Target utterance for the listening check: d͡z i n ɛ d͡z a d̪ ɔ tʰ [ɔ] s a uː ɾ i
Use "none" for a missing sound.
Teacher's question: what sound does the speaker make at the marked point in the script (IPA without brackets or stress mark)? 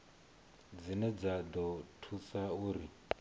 u